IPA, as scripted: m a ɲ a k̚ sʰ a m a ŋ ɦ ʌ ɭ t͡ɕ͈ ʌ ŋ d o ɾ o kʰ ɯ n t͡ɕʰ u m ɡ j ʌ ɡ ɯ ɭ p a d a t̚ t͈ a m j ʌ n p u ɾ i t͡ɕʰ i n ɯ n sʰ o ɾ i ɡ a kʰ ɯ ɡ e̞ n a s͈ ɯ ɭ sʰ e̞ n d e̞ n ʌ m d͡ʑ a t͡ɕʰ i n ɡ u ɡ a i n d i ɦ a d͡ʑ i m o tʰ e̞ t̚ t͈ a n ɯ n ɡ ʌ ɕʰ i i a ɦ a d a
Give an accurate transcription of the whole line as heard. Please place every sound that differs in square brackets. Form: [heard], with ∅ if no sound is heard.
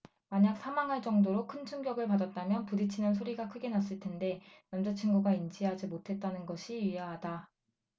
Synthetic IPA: m a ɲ a k̚ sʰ a m a ŋ ɦ [a] ɭ t͡ɕ͈ ʌ ŋ d o ɾ o kʰ ɯ n t͡ɕʰ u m ɡ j ʌ ɡ ɯ ɭ p a d a t̚ t͈ a m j ʌ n p u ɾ i t͡ɕʰ i n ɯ n sʰ o ɾ i ɡ a kʰ ɯ ɡ e̞ n a s͈ ɯ ɭ [tʰ] e̞ n d e̞ n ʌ m d͡ʑ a t͡ɕʰ i n ɡ u ɡ a i n [d͡ʑ] i ɦ a d͡ʑ i m o tʰ e̞ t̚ t͈ a n ɯ n ɡ ʌ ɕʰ i i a ɦ a d a